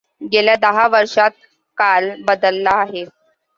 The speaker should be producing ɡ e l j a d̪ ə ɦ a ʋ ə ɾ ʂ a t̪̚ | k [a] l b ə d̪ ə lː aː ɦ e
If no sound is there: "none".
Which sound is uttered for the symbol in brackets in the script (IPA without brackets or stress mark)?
a